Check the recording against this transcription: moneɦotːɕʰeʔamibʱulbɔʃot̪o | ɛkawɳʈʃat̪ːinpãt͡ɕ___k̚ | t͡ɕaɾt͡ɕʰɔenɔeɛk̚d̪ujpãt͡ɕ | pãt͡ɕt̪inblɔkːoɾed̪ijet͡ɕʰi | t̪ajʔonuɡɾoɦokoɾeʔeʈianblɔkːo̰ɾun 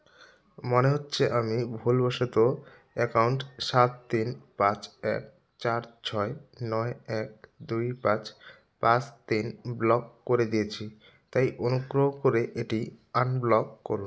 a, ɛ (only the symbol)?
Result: ɛ